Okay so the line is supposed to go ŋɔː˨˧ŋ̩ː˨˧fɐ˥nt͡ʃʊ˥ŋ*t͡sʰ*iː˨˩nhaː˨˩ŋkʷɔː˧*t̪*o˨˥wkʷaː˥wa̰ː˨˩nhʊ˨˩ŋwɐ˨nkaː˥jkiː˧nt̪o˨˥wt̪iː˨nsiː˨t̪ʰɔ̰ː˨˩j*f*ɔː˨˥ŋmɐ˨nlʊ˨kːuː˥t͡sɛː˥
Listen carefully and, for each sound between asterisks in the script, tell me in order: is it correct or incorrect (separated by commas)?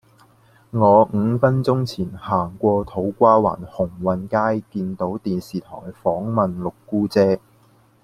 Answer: correct, incorrect, correct